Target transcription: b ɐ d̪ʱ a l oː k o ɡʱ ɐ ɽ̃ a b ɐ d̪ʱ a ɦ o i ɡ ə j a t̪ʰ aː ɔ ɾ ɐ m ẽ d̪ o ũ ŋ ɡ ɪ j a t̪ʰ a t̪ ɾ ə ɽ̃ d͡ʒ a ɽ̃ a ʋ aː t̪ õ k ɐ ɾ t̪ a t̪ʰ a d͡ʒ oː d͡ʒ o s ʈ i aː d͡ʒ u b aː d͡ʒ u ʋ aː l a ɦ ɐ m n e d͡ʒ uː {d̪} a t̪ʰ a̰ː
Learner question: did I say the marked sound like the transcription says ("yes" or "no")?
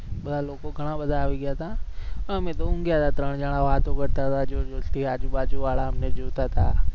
no